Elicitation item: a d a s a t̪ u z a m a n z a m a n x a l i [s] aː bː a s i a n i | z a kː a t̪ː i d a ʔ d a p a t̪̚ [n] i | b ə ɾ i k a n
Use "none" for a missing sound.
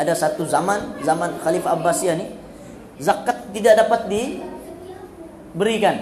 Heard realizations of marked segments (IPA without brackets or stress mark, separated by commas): f, d